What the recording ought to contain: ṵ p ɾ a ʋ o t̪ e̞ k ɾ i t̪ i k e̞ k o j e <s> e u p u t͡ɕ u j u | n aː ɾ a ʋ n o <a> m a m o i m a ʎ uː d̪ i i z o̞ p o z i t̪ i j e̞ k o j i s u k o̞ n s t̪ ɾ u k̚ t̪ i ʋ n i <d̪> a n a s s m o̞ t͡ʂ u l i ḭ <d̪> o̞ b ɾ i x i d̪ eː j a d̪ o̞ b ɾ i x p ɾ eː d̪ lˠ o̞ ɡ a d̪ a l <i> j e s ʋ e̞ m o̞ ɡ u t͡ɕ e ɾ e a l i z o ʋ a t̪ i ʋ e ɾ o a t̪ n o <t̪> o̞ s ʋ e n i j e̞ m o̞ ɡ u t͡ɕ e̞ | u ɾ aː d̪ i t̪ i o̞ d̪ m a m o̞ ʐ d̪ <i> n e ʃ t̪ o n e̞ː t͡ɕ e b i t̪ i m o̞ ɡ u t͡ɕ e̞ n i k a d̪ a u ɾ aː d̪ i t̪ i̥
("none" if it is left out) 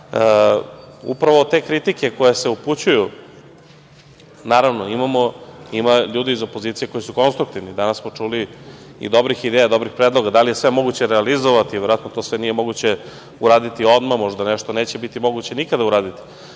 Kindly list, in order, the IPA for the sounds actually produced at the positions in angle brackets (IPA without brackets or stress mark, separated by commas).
s, i, d̪, d̪, i, t̪, a